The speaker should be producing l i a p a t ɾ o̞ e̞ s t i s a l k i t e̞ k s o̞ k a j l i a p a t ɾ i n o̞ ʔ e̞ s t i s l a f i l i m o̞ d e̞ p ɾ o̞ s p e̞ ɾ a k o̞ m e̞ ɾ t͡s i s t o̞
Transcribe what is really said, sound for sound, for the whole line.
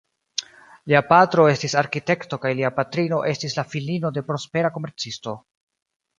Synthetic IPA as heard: l i a p a t ɾ o̞ e̞ s t i s a ɾ k i t e̞ k t o̞ k a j l i a p a t ɾ i n o̞ ʔ e̞ s t i s l a f i l i n o̞ d e̞ p ɾ o̞ s p e̞ ɾ a k o̞ m e̞ ɾ t͡s i s t o̞